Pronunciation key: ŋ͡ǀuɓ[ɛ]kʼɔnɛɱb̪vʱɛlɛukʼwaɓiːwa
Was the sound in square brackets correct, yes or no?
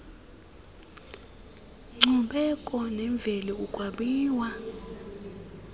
yes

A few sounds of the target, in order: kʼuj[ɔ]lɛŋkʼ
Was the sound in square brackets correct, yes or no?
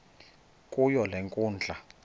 yes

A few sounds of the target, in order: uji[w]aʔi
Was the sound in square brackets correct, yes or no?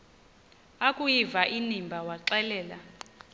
no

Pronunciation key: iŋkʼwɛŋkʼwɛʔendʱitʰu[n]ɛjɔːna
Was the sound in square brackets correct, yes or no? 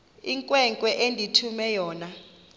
no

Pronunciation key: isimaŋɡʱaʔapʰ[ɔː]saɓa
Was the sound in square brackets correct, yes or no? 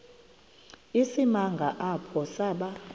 no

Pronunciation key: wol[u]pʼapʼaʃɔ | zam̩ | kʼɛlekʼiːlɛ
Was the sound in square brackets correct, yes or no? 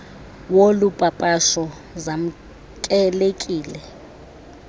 yes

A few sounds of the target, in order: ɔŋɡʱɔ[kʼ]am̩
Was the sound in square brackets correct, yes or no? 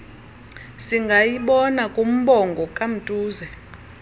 yes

